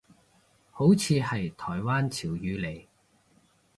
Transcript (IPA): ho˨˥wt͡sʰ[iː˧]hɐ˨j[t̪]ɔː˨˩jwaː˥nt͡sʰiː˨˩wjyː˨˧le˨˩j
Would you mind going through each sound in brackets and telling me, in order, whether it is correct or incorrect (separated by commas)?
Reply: correct, incorrect